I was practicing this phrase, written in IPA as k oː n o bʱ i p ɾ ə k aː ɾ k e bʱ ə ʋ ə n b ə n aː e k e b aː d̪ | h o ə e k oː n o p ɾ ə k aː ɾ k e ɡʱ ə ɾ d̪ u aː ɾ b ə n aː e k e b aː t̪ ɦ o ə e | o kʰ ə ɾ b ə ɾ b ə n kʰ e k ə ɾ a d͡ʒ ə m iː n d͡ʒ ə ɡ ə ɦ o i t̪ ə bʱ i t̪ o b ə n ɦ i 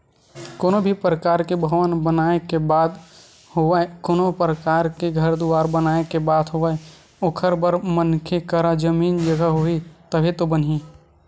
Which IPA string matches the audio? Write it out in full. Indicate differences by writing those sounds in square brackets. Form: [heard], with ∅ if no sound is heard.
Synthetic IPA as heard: k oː n o bʱ i p ɾ ə k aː ɾ k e bʱ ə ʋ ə n b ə n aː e k e b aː d̪ | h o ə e k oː n o p ɾ ə k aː ɾ k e ɡʱ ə ɾ d̪ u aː ɾ b ə n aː e k e b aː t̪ ɦ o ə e | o kʰ ə ɾ b ə ɾ [m] ə n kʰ e k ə ɾ a d͡ʒ ə m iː n d͡ʒ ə ɡ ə ɦ o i t̪ ə bʱ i t̪ o b ə n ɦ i